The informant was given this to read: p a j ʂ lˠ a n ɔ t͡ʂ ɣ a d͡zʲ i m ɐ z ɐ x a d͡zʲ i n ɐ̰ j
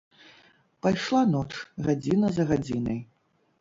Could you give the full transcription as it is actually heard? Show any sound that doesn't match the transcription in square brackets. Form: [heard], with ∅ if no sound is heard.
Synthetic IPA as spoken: p a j ʂ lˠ a n ɔ t͡ʂ ɣ a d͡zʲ i [n] ɐ z ɐ [ɣ] a d͡zʲ i n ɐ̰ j